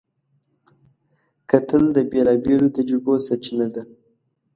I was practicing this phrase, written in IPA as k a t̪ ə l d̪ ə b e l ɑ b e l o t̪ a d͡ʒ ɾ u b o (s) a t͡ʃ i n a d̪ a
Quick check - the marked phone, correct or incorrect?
correct